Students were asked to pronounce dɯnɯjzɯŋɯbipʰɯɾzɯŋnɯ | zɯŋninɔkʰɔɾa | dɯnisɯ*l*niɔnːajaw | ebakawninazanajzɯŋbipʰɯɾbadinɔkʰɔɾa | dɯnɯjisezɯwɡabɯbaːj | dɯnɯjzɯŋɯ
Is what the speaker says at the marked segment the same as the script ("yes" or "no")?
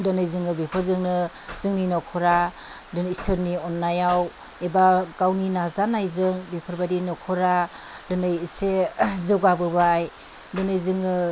no